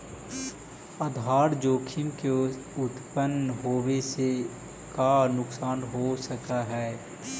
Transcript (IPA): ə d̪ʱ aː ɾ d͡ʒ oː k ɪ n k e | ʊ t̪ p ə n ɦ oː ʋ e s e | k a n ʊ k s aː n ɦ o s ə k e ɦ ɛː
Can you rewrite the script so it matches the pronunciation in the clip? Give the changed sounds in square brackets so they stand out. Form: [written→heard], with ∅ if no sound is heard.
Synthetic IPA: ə d̪ʱ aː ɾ d͡ʒ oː [k→kʰ] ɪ [n→m] k e | ʊ t̪ p ə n ɦ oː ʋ e s e | k a n ʊ k s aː n ɦ o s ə k [e→a] ɦ ɛː